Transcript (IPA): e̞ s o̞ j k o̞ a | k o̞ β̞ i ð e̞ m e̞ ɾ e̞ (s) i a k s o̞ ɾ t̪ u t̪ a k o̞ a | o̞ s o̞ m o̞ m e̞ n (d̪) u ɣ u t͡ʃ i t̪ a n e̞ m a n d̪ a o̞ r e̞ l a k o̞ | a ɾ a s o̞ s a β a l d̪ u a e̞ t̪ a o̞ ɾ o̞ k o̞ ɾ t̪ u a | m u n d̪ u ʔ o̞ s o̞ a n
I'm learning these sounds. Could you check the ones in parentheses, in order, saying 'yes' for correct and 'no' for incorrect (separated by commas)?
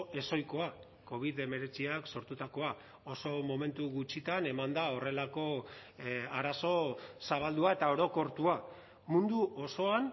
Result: no, no